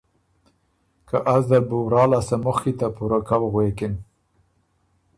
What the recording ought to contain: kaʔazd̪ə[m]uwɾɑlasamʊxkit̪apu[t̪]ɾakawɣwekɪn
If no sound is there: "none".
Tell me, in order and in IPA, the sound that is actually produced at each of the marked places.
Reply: b, none

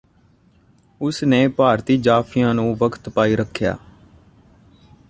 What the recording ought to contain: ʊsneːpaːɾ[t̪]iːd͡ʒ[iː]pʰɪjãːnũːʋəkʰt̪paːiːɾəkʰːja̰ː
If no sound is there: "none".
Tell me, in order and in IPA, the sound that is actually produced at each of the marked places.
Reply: t̪, aː

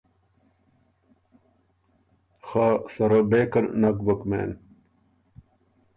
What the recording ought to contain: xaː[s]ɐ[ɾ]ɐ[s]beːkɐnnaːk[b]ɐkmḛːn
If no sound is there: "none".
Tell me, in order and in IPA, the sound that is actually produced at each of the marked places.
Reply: s, ɾ, none, b

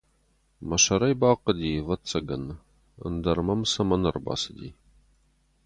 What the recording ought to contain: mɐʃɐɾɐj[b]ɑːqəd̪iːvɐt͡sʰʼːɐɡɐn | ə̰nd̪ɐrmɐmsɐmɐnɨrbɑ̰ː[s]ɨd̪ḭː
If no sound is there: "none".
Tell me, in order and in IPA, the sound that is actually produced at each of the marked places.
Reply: b, s

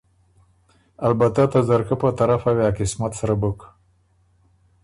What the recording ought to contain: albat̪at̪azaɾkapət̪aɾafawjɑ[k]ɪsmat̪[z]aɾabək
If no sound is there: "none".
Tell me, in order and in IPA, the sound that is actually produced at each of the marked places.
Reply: k, s

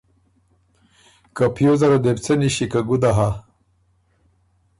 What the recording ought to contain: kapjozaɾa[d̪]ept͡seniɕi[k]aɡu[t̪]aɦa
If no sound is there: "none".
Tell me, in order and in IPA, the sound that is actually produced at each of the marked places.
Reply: d̪, k, d̪

